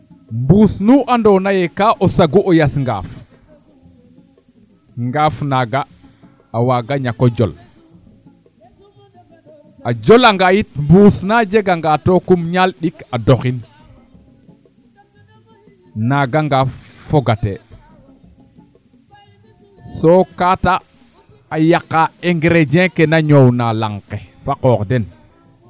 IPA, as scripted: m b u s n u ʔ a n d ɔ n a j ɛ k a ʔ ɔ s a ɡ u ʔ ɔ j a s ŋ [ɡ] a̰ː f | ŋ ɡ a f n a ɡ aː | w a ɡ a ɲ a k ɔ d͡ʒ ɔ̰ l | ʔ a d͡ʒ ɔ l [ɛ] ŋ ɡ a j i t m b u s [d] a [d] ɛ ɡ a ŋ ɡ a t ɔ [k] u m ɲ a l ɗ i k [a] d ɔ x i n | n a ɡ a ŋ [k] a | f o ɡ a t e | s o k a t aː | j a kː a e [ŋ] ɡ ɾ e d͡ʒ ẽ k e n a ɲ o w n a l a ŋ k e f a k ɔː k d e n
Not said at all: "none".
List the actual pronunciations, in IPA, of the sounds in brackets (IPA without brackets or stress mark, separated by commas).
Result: ɡ, a, n, d͡ʒ, k, a, ɡ, ŋ